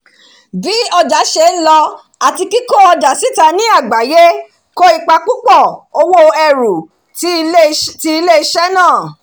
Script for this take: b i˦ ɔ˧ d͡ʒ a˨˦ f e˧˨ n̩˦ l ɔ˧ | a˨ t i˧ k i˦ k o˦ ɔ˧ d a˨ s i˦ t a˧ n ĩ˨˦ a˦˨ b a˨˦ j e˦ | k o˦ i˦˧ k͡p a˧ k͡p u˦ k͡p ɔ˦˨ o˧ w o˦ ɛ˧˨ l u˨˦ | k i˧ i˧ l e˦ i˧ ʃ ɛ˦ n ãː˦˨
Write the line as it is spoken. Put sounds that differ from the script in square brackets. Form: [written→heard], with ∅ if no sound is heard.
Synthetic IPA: b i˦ ɔ˧ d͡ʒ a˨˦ [f→ʃ] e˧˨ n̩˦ l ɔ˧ | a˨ t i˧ k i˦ k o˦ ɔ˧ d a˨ s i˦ t a˧ n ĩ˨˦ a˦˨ [b→ɡ͡b] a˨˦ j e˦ | k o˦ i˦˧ k͡p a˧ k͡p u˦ k͡p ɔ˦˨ o˧ w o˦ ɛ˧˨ [l→ɾ] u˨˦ | [k→t] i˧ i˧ l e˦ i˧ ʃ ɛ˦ n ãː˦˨